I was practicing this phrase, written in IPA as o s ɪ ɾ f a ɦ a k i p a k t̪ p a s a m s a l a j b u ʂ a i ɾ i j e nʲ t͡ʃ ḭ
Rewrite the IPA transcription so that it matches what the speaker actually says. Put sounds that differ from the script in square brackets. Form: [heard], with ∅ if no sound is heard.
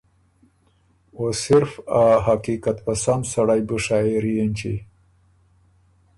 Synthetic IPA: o s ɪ ɾ f a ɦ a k i [k] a [∅] t̪ p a s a m s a [ɽ] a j b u ʂ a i ɾ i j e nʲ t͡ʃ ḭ